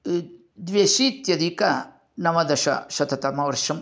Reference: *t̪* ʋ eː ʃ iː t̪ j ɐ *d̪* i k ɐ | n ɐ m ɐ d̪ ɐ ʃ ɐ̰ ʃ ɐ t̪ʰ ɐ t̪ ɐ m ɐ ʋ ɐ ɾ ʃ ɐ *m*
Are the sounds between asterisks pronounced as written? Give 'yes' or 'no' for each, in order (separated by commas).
no, yes, yes